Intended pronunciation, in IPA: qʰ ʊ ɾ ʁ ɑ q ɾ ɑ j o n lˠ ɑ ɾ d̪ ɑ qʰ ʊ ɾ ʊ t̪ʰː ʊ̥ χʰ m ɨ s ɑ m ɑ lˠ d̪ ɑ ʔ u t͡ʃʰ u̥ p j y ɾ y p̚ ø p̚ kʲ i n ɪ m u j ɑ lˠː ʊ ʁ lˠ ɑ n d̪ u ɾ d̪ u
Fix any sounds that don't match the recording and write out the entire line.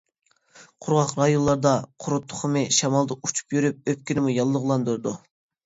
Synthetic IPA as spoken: qʰ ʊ ɾ ʁ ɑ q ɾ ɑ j o n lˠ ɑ ɾ d̪ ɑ qʰ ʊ ɾ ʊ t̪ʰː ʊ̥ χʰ m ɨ ʃ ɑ m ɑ lˠ d̪ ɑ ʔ u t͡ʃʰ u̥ p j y ɾ y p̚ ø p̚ kʲ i n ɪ m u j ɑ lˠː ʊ ʁ lˠ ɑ n d̪ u ɾ d̪ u